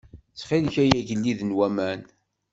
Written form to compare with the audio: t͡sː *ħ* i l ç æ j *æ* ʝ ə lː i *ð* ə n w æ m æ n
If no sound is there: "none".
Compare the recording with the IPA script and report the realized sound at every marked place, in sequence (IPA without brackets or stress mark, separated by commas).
χ, æ, ð